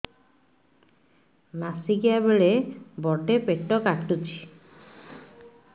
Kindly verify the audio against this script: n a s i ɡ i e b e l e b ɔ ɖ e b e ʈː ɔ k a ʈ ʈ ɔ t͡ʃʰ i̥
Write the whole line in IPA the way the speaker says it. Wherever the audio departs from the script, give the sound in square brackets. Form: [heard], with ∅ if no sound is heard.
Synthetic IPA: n a s i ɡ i [a] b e [ɭ] e b ɔ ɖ e [p] e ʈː ɔ k a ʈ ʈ [u] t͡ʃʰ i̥